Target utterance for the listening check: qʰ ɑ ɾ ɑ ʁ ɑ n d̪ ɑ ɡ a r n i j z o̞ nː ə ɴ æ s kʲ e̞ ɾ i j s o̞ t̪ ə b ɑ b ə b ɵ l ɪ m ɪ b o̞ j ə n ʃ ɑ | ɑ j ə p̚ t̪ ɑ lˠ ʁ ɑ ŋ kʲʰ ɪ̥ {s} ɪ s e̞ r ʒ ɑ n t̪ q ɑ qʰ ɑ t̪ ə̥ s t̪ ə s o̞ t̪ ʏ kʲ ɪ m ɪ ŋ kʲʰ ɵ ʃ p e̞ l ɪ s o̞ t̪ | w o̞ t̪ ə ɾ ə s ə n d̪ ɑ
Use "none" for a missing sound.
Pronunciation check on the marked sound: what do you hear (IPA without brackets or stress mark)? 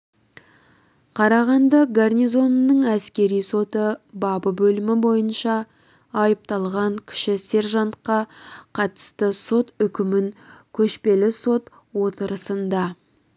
ʃ